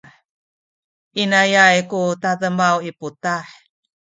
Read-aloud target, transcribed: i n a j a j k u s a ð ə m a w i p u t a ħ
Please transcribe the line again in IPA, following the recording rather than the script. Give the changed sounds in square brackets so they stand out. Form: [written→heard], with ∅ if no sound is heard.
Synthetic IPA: i n a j a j k u [s→t] a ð ə m a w i p u t a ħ